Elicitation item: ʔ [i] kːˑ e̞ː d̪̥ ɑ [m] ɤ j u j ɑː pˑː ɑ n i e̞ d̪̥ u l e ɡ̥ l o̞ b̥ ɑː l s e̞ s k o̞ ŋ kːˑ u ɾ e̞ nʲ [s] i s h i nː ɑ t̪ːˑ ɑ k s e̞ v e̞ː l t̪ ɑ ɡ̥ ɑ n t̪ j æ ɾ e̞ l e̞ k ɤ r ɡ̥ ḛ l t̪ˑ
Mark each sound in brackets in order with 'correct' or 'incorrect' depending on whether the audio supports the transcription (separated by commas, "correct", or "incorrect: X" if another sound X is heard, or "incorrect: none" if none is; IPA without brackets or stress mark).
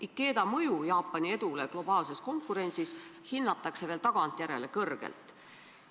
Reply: correct, correct, correct